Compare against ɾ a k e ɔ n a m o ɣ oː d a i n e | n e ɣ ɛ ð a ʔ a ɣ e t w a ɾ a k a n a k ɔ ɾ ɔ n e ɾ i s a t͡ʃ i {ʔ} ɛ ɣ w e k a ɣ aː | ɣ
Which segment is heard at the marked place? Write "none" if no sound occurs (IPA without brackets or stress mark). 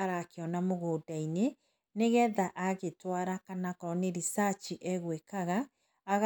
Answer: ʔ